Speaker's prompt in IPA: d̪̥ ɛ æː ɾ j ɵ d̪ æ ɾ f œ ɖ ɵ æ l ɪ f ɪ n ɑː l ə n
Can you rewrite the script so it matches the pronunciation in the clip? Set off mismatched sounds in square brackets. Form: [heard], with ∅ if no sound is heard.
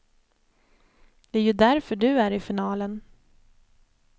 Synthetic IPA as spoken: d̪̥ ɛ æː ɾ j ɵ d̪ æ ɾ f œ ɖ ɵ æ [ɾ] ɪ f ɪ n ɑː l ə n

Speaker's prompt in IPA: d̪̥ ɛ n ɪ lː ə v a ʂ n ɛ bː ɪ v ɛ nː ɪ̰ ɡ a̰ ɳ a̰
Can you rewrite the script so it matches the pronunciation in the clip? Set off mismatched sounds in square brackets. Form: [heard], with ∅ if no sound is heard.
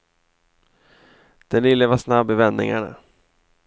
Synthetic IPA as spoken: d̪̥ ɛ n ɪ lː ə v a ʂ n [a] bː ɪ v ɛ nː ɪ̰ [ŋ] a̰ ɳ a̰

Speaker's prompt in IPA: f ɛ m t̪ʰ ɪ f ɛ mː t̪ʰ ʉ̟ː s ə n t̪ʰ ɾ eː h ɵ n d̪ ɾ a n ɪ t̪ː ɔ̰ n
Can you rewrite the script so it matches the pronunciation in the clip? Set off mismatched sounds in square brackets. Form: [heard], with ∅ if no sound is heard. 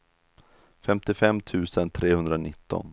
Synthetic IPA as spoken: f ɛ m [t̪] ɪ f ɛ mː t̪ʰ ʉ̟ː s ə n t̪ʰ ɾ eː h ɵ n d̪ ɾ a n ɪ t̪ː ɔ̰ n

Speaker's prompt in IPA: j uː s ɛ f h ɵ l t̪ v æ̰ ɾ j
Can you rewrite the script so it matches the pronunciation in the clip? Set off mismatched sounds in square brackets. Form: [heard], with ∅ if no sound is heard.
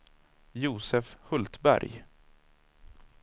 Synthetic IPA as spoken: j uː s ɛ f h ɵ l t̪ [b] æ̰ ɾ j

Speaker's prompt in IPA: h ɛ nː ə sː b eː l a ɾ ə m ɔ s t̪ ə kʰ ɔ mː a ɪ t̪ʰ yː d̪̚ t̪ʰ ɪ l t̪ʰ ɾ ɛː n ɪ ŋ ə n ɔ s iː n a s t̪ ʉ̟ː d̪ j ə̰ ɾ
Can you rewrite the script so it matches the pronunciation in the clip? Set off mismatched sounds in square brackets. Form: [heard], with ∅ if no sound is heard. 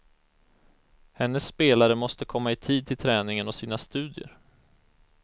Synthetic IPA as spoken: h ɛ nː ə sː [p] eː l a ɾ ə m ɔ s t̪ ə kʰ ɔ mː a ɪ t̪ʰ [iː] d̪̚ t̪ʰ ɪ l t̪ʰ ɾ ɛː n ɪ ŋ ə n ɔ s iː n a s t̪ ʉ̟ː d̪ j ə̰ ɾ

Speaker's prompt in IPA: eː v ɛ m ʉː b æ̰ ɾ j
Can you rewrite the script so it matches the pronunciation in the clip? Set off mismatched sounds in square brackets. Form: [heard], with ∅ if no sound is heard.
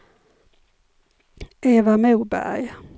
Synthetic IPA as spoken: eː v [a] m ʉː b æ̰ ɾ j

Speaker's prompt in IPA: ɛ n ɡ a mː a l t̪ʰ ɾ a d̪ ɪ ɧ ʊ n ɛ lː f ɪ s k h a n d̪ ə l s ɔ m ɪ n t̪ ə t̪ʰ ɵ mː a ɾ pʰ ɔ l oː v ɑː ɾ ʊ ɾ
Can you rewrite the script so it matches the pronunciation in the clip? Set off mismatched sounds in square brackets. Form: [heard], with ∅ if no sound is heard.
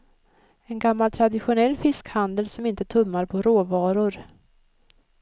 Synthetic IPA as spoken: ɛ n ɡ a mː a l t̪ʰ ɾ a d̪ ɪ ɧ ʊ n ɛ lː f ɪ s k h a n d̪ ə l s ɔ m ɪ n t̪ ə t̪ʰ ɵ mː a ɾ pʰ ɔ [ɾ] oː v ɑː ɾ ʊ ɾ

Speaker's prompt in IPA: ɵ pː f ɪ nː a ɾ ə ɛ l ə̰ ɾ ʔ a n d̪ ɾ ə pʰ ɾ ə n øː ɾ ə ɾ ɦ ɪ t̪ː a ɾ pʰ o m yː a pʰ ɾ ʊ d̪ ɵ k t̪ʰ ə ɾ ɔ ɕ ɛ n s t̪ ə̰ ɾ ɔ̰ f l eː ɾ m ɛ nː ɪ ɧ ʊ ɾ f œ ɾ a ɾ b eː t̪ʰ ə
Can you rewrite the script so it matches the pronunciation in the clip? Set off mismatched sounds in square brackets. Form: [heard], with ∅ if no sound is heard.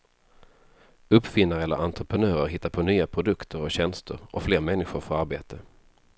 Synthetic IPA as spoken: ɵ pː f ɪ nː a ɾ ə ɛ l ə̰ ɾ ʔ a n [t̪] ɾ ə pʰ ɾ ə n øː ɾ ə ɾ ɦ ɪ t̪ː a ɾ pʰ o [n] yː a pʰ ɾ ʊ d̪ ɵ k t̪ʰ ə ɾ ɔ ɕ ɛ n s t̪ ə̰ ɾ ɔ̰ f l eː ɾ m ɛ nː ɪ ɧ ʊ ɾ f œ ɾ a ɾ b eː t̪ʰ ə

